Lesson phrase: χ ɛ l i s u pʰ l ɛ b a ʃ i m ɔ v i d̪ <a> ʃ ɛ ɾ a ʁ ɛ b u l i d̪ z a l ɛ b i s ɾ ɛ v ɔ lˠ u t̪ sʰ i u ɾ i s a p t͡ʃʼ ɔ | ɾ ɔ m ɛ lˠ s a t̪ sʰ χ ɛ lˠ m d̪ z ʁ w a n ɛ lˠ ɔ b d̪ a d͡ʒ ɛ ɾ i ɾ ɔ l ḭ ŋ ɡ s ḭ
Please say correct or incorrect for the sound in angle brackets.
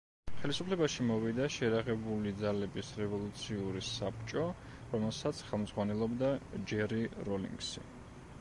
correct